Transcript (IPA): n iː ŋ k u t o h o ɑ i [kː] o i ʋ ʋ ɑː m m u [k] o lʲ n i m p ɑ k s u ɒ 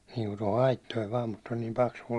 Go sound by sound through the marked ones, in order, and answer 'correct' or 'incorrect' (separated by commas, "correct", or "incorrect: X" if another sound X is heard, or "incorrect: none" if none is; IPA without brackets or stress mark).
incorrect: tː, incorrect: t